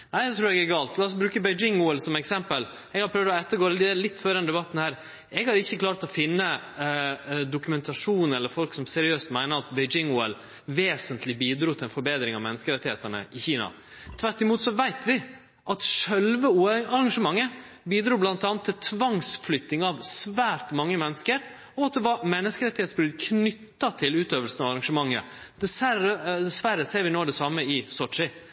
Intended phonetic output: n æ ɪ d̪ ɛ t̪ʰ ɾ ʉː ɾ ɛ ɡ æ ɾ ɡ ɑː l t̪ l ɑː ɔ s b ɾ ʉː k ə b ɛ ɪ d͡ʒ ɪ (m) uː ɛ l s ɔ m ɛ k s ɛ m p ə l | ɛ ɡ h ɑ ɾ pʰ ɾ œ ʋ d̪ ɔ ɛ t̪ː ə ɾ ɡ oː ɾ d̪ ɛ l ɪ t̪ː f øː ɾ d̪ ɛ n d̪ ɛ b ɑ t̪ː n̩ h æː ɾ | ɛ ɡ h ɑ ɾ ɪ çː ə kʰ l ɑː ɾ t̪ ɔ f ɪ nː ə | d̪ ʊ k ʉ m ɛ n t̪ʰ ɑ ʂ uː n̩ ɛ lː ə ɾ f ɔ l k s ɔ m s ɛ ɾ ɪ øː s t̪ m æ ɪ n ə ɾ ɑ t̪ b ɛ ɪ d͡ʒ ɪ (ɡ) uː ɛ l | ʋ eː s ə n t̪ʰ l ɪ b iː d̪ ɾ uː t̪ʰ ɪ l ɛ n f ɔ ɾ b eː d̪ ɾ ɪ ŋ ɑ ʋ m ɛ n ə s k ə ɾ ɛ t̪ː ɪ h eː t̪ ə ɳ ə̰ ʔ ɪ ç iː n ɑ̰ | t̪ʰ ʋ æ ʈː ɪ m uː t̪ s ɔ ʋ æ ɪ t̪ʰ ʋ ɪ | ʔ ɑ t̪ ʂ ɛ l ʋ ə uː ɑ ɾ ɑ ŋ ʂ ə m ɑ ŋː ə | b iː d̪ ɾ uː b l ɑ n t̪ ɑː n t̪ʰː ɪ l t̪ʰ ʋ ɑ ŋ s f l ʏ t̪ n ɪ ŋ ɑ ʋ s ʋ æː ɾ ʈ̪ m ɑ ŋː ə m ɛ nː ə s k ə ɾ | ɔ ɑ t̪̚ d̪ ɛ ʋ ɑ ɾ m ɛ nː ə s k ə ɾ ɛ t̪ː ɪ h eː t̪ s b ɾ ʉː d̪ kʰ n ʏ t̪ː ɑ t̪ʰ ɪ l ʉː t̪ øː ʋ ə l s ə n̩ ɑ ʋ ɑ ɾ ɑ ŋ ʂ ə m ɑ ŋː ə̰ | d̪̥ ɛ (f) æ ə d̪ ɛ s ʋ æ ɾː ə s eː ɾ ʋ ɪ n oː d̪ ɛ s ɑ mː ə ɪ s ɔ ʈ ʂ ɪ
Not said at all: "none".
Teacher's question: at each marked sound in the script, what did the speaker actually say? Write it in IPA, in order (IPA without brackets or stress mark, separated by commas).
ŋ, ŋ, s